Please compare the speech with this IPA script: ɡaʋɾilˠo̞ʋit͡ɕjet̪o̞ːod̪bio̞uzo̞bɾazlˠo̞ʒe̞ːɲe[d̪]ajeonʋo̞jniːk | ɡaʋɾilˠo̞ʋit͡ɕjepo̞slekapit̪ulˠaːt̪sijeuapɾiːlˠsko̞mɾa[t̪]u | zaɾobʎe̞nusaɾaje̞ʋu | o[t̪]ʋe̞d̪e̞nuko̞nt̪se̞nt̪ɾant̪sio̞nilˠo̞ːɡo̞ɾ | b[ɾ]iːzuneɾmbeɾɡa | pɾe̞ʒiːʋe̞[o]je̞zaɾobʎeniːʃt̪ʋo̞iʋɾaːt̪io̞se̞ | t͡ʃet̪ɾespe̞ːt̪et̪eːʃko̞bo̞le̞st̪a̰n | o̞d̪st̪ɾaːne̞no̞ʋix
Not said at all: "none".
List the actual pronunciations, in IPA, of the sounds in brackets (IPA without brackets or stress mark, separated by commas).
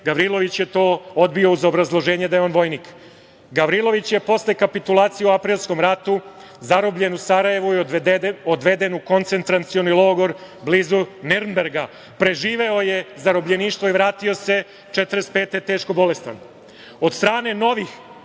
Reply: d̪, t̪, d̪, l, o